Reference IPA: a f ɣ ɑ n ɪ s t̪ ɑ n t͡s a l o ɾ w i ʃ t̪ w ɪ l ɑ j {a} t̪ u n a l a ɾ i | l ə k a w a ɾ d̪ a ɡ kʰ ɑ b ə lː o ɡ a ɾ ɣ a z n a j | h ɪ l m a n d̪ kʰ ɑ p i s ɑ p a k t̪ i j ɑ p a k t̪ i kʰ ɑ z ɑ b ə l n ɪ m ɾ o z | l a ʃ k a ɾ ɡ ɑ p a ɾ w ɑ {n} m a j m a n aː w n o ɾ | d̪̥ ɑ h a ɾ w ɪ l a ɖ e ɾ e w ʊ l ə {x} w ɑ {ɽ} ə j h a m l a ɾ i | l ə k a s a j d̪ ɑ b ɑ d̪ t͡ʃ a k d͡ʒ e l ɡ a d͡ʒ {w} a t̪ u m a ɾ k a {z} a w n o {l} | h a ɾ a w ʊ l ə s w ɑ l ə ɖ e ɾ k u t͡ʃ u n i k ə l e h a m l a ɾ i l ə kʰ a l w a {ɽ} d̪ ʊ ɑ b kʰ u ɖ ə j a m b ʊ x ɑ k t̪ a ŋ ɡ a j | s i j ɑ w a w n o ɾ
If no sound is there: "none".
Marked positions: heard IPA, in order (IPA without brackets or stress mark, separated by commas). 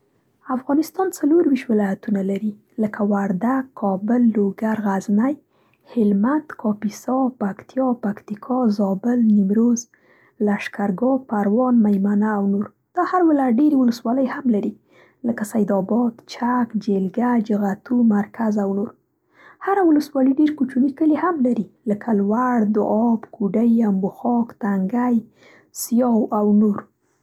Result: a, n, s, l, ɣ, z, ɾ, ɽ